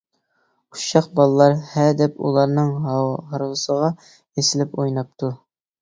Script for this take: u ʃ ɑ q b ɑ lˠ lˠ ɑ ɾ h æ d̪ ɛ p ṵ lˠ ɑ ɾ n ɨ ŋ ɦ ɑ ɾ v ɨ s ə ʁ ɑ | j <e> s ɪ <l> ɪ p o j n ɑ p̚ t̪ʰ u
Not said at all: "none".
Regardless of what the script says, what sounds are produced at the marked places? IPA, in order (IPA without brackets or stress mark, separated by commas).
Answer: e, l